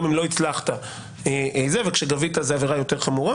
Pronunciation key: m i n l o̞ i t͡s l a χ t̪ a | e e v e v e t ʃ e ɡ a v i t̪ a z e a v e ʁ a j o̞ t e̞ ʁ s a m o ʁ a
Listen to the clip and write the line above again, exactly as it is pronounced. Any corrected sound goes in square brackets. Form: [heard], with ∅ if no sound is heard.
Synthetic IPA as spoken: m i [m] l o̞ i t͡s l a χ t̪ a | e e [z] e v e [k] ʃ e ɡ a v i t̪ a z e a v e ʁ a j o̞ t e̞ ʁ [χ] a m [u] ʁ a